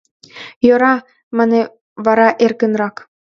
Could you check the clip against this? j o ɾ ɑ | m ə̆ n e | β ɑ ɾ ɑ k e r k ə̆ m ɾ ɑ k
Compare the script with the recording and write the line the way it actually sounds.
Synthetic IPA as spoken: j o ɾ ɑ | m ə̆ n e | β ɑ ɾ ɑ ʔ e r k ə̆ n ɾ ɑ k